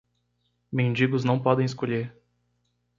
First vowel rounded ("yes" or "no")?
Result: no